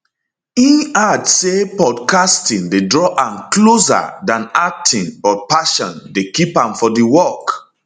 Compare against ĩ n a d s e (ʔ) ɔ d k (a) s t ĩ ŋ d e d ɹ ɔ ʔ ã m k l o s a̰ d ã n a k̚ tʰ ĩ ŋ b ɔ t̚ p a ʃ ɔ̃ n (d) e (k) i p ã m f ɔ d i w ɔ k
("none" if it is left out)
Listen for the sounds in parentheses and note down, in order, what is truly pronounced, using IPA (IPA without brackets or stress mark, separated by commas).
p, a, d, k